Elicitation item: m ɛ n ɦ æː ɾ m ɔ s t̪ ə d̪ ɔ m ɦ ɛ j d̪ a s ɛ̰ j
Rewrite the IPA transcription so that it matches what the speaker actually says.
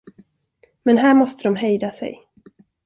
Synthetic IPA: m ɛ n ɦ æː ɾ m ɔ s t̪ ə d̪ ɔ m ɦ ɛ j d̪ a s ɛ̰ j